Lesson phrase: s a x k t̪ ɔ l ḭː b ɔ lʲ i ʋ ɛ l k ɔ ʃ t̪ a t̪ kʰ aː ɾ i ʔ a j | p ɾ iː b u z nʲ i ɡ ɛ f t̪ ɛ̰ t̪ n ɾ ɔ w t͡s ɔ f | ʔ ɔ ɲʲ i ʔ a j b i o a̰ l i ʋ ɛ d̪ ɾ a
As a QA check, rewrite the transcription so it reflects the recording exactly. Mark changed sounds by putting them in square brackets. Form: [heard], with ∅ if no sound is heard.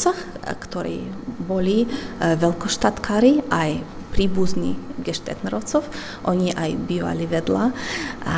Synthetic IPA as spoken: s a x k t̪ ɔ [ɾ] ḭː b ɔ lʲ i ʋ ɛ l k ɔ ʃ t̪ a t̪ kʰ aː ɾ i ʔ a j | p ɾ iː b u z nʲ i ɡ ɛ [ʃ] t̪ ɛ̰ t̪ n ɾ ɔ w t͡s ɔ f | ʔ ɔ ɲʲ i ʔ a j b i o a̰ l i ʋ ɛ d̪ [l] a